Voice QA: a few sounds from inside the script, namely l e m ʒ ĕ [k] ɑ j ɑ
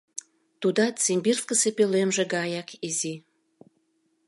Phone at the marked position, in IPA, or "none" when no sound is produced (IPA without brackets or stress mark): ɡ